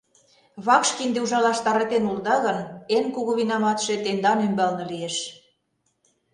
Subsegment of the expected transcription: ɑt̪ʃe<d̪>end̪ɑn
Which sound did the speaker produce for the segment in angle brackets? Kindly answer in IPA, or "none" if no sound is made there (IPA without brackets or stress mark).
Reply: t̪